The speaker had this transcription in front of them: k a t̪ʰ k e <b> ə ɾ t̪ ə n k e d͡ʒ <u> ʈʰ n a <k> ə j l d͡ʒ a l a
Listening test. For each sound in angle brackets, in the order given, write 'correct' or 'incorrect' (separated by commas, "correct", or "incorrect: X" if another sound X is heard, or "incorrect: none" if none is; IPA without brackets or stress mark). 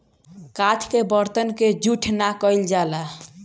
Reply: correct, correct, correct